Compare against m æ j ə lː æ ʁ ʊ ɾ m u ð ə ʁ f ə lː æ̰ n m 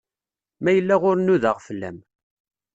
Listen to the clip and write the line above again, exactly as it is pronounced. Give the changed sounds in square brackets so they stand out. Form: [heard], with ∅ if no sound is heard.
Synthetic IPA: m æ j ə lː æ ʁ ʊ ɾ [n] u ð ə ʁ f ə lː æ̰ [∅] m